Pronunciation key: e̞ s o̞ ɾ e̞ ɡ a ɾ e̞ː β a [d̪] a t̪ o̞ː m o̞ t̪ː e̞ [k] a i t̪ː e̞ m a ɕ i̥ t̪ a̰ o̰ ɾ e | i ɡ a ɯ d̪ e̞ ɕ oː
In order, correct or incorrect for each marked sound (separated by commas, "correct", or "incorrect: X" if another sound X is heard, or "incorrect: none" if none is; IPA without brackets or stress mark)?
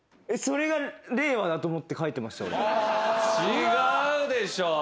correct, correct